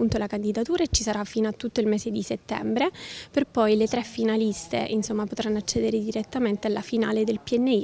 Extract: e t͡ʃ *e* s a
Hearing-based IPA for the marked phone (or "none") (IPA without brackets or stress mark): i